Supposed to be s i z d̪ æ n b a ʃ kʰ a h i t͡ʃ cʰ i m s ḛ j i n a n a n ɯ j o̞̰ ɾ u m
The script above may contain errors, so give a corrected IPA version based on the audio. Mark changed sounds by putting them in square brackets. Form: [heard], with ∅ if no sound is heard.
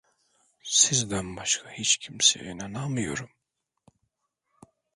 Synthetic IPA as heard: s i z d̪ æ n b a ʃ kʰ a h i t͡ʃ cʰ i m s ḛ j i n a n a [m] ɯ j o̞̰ ɾ u m